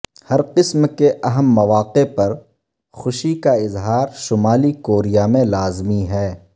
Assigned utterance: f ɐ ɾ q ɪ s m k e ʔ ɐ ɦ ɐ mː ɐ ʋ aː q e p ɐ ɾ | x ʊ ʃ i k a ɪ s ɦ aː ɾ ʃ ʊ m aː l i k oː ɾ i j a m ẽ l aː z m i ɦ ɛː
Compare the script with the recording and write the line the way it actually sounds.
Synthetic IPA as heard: h ɐ ɾ q ɪ s m k e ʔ ɐ ɦ ə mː ɐ ʋ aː q e p ɐ ɾ | x ʊ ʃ i k a ɪ z ɦ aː ɾ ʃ ʊ m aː l i k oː ɾ i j a m ẽ l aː z m i ɦ ɛː